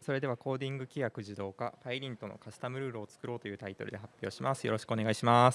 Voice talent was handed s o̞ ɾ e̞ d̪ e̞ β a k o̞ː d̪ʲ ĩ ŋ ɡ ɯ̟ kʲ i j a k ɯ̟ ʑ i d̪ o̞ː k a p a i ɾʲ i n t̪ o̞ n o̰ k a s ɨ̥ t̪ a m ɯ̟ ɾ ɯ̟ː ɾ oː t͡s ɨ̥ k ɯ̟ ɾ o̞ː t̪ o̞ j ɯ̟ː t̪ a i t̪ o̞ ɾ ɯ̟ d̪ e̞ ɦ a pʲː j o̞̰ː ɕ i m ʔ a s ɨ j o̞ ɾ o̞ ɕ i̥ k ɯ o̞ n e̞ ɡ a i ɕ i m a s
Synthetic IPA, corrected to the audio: s o̞ ɾ e̞ d̪ e̞ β a k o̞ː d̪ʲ ĩ ŋ ɡ ɯ̟ kʲ i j a k ɯ̟ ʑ i d̪ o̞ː k a p a i ɾʲ ĩ n t̪ o̞ n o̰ k a s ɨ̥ t̪ a m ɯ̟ ɾ ɯ̟ː ɾ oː t͡s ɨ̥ k ɯ̟ ɾ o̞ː t̪ o̞ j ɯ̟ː t̪ a i t̪ o̞ ɾ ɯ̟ d̪ e̞ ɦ a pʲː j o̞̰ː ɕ i m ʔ a s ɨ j o̞ ɾ o̞ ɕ i̥ k ɯ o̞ n e̞ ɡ a i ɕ i m a s